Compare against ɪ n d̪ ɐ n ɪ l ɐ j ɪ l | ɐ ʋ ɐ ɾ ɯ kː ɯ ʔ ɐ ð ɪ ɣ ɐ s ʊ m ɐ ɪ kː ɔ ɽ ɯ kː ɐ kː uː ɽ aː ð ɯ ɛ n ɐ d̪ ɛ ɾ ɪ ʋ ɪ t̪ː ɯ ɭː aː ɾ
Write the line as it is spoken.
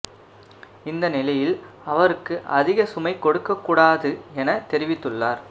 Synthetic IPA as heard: ɪ n d̪ ɐ n ɪ l ɐ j ɪ l | ɐ ʋ ɐ ɾ ɯ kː ɯ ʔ ɐ ð ɪ ɣ ɐ s ʊ m ɐ ɪ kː ɔ ɽ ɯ kː ɐ kː uː ɽ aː ð ɯ ɛ n ɐ t̪ ɛ ɾ ɪ ʋ ɪ t̪ː ɯ ɭː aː ɾ